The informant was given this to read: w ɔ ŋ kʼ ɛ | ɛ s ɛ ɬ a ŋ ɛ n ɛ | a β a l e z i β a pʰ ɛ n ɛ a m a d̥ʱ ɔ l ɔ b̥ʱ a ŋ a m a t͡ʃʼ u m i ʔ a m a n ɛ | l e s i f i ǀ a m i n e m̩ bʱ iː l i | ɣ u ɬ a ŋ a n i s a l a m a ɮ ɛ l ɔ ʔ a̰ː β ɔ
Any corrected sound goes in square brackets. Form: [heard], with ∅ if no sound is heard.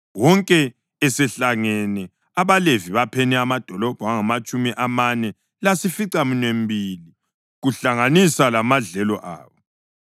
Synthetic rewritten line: w ɔ ŋ kʼ ɛ | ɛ s ɛ ɬ a ŋ ɛ n ɛ | a β a l e [v] i β a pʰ ɛ n ɛ a m a d̥ʱ ɔ l ɔ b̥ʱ a ŋ a m a t͡ʃʼ u m i ʔ a m a n ɛ | l [a] s i f i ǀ a m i n e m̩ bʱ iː l i | ɣ u ɬ a ŋ a n i s a l a m a ɮ ɛ l ɔ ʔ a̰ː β ɔ